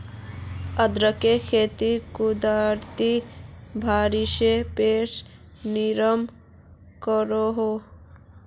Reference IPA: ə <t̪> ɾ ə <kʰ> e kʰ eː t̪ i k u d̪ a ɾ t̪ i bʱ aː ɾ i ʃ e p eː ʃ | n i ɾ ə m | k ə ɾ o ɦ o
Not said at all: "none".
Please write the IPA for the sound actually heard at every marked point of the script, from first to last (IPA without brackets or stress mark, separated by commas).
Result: d̪, k